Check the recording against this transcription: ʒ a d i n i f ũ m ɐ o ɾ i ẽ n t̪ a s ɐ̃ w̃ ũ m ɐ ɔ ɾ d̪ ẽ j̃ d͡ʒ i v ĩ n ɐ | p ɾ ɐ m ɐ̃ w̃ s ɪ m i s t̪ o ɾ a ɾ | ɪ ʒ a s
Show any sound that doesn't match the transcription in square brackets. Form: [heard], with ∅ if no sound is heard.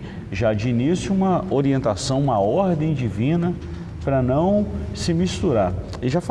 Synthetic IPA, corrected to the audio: ʒ a [d͡ʒ] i n i [s] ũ m ɐ o ɾ i ẽ n t̪ a s ɐ̃ w̃ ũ m ɐ ɔ ɾ d̪ ẽ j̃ d͡ʒ i v ĩ n ɐ | p ɾ ɐ [n] ɐ̃ w̃ s ɪ m i s t̪ [u] ɾ a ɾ | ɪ ʒ a [f]